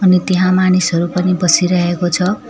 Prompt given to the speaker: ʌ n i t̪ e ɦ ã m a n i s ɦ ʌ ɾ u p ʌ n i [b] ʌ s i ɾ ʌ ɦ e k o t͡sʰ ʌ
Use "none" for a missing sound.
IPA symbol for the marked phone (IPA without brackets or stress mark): b